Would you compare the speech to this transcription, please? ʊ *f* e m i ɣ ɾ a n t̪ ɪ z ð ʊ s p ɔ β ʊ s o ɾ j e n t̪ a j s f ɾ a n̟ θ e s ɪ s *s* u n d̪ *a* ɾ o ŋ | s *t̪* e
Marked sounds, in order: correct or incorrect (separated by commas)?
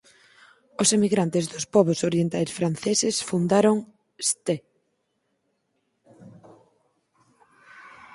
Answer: incorrect, incorrect, correct, correct